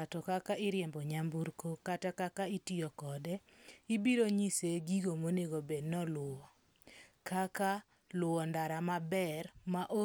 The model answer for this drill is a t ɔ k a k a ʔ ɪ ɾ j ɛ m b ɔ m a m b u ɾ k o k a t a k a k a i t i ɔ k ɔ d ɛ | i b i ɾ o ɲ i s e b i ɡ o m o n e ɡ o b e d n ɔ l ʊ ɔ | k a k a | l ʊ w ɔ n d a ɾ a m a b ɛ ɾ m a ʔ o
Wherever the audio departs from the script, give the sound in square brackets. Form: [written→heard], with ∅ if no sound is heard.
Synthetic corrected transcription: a t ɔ k a k a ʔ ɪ ɾ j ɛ m b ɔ [m→ɲ] a m b u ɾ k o k a t a k a k a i t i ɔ k ɔ d ɛ | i b i ɾ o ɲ i s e [b→ɡ] i ɡ o m o n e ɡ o b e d n ɔ l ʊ ɔ | k a k a | l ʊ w ɔ n d a ɾ a m a b ɛ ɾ m a ʔ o